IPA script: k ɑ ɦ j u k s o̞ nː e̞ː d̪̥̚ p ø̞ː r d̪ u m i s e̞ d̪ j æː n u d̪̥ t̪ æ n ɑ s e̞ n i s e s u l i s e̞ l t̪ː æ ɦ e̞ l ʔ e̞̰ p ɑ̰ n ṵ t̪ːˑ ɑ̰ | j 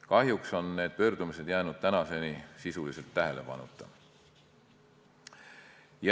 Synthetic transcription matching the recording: k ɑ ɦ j u k s o̞ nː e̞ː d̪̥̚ p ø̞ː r d̪ u m i s e̞ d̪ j æː n u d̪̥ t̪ æ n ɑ s e̞ n i s i s u l i s e̞ l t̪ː æ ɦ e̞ l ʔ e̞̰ p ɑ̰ n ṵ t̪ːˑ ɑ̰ | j